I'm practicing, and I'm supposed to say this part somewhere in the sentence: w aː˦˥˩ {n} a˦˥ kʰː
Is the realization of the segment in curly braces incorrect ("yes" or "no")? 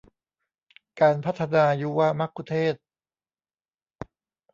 yes